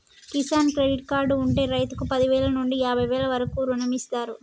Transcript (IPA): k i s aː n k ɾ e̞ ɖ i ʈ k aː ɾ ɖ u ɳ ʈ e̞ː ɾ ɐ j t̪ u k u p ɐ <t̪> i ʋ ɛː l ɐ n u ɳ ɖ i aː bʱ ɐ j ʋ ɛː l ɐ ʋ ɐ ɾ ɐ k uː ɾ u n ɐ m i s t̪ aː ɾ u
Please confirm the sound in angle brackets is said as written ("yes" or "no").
no